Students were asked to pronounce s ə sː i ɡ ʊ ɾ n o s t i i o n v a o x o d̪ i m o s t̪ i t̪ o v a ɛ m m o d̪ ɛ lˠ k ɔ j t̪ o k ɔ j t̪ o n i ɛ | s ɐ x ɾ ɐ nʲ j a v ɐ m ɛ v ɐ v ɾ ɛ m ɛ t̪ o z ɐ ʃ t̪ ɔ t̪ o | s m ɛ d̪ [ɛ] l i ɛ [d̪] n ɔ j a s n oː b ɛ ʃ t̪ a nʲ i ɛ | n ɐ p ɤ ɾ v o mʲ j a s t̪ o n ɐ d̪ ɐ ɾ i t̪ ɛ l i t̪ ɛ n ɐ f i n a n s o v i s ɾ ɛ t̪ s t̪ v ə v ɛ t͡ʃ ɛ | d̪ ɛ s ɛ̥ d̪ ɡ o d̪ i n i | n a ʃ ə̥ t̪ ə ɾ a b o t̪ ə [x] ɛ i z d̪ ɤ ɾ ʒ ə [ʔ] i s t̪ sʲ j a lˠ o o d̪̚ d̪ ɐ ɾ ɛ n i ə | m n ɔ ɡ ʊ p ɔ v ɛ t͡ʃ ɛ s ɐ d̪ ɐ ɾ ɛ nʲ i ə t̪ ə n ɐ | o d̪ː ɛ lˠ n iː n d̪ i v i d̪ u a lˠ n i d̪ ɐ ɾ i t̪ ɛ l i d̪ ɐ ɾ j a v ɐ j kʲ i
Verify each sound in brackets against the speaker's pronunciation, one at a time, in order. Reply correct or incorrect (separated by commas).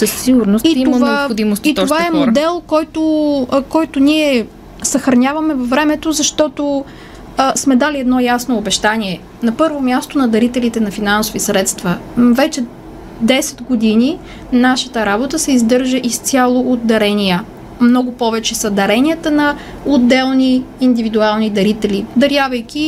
incorrect, correct, incorrect, correct